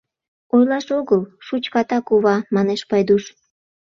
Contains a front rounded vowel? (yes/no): no